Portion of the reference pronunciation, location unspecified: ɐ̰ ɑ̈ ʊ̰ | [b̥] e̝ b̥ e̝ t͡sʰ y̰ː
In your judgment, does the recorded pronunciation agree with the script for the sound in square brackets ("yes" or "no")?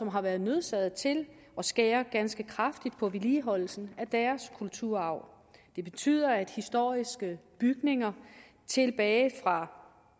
no